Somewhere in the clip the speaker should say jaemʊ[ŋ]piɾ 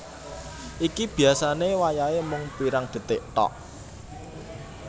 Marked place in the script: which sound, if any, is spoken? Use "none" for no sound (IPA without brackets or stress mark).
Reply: ŋ